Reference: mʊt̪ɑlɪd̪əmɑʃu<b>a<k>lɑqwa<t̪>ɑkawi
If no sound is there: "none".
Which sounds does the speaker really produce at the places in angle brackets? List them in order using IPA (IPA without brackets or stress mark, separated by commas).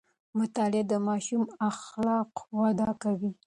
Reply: m, x, d̪